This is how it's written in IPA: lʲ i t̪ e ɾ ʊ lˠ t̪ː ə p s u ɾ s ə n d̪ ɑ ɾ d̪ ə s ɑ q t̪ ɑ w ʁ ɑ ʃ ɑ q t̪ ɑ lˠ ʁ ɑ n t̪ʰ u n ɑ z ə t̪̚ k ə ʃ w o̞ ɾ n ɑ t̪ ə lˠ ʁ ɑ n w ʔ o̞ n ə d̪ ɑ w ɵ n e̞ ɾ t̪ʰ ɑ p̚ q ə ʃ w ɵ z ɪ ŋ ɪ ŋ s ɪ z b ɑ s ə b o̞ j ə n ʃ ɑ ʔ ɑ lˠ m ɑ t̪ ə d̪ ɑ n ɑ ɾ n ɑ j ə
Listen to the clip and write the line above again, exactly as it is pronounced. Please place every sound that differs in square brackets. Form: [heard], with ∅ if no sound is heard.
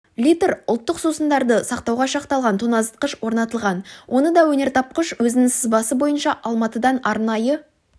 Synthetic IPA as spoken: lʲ i t̪ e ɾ ʊ lˠ t̪ː ə [q] s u [∅] s ə n d̪ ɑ ɾ d̪ ə s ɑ q t̪ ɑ w ʁ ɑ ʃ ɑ q t̪ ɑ lˠ ʁ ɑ n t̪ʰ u n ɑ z ə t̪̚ [q] ə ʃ w o̞ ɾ n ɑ t̪ ə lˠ ʁ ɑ n w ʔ o̞ n ə d̪ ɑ w ɵ n e̞ ɾ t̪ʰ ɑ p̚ q ə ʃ w ɵ z ɪ [n] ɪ ŋ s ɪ z b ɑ s ə b o̞ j ə n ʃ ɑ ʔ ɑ lˠ m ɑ t̪ ə d̪ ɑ n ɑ ɾ n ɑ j ə